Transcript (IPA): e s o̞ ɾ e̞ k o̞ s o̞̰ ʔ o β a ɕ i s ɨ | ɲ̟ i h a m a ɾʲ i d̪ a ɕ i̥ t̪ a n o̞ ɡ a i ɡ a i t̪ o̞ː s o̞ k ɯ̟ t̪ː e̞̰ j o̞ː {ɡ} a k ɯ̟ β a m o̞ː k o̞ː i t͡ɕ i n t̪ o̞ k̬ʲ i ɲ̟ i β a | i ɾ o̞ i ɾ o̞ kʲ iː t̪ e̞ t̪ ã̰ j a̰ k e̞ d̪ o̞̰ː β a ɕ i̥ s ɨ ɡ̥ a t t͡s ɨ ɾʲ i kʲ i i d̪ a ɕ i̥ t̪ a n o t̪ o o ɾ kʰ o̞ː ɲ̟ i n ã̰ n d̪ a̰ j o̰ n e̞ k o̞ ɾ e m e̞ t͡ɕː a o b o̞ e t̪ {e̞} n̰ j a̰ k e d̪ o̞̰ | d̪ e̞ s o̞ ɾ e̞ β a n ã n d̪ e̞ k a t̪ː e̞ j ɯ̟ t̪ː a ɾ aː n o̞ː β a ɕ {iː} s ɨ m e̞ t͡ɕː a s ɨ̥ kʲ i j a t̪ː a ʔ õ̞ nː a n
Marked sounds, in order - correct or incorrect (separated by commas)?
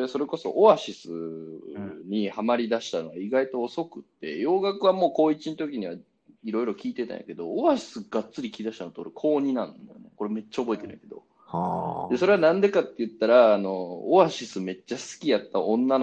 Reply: correct, correct, incorrect